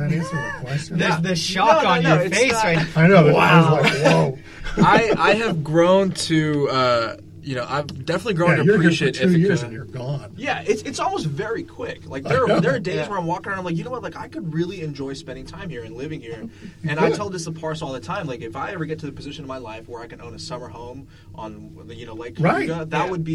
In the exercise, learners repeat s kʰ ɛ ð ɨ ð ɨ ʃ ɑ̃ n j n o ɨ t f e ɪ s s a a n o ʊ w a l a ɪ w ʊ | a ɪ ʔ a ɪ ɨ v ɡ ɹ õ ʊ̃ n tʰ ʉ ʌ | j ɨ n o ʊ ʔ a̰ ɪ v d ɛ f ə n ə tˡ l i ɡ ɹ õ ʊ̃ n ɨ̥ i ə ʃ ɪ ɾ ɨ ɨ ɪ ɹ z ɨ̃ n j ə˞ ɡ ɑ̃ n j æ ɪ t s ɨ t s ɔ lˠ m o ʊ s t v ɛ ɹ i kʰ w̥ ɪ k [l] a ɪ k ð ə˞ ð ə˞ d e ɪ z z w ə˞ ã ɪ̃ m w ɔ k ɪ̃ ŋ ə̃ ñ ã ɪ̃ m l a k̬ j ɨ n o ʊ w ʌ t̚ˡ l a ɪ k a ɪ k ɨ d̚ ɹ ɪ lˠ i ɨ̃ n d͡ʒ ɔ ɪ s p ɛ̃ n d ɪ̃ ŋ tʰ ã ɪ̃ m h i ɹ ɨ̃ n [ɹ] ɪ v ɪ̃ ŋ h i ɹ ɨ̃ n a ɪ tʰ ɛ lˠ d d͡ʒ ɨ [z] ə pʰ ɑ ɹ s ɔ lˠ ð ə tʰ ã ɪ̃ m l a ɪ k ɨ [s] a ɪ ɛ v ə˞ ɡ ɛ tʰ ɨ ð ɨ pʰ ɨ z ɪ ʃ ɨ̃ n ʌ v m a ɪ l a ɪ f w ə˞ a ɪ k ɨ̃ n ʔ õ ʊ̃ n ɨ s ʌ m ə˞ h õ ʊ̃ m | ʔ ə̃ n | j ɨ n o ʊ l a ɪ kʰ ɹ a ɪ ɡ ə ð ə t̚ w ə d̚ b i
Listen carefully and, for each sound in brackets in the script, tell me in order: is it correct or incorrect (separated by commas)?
correct, incorrect, incorrect, incorrect